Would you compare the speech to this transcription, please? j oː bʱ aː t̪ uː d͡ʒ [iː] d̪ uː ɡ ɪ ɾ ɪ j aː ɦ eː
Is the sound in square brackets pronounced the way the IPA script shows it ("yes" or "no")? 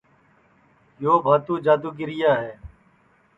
no